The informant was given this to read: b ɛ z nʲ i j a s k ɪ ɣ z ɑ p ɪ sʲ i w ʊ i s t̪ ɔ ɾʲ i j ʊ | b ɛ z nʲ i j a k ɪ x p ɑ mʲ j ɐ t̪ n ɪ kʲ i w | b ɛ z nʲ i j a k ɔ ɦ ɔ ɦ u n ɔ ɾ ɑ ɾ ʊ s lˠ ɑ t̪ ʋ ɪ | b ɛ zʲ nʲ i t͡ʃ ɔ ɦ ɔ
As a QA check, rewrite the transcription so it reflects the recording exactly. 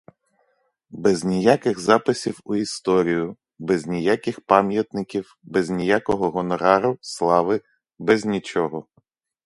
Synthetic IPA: b ɛ z nʲ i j a k ɪ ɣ z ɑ p ɪ sʲ i w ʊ i s t̪ ɔ ɾʲ i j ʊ | b ɛ z nʲ i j a k ɪ x p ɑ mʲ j ɐ t̪ n ɪ kʲ i w | b ɛ z nʲ i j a k ɔ ɦ ɔ ɦ ɔ n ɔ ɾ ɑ ɾ ʊ s lˠ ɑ ʋ ɪ | b ɛ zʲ nʲ i t͡ʃ ɔ ɦ ɔ